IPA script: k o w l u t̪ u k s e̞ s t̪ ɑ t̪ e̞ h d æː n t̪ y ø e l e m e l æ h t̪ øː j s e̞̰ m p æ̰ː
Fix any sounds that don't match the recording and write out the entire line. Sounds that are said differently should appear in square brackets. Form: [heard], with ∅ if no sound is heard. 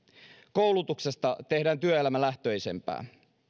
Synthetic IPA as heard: k o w l u t̪ u k s e̞ s t̪ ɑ t̪ e̞ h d æː n t̪ y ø e l [æ] m [æ] l æ h t̪ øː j s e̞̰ m p æ̰ː